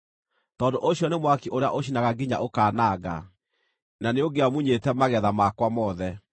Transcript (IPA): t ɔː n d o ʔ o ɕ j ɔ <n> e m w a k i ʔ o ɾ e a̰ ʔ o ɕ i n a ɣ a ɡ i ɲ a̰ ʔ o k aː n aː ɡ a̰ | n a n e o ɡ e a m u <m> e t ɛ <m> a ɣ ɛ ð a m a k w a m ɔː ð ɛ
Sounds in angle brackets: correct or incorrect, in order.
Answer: correct, incorrect, correct

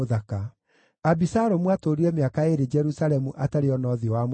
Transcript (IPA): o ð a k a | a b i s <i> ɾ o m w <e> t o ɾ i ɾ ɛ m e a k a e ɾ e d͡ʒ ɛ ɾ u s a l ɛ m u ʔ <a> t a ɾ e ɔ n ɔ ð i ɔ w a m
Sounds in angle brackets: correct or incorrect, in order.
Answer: incorrect, incorrect, correct

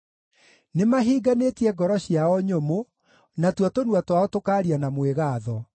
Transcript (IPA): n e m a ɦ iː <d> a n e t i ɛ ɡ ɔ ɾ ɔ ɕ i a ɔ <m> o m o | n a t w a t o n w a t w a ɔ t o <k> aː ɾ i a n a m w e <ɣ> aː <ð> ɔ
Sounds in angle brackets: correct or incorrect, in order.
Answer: incorrect, incorrect, correct, correct, correct

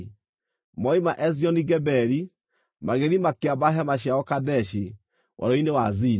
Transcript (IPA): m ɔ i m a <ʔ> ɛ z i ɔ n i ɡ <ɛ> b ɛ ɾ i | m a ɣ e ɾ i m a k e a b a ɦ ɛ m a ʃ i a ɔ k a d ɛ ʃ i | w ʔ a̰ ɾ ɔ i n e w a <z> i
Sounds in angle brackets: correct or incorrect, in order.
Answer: correct, correct, correct

